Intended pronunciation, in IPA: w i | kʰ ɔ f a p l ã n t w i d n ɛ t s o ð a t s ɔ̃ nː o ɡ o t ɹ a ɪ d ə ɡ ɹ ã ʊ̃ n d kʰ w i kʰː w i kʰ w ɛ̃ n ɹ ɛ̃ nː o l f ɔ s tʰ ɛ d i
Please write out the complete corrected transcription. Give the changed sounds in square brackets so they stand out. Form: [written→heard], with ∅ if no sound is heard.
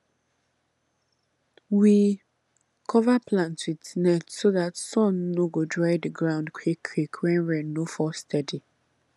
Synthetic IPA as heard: w i | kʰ ɔ [f→v] a p l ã n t w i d n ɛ t s o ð a t s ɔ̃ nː o ɡ o [t→d] ɹ a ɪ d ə ɡ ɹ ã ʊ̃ n d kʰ w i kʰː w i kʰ w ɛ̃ n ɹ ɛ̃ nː o [l→∅] f ɔ s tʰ ɛ d i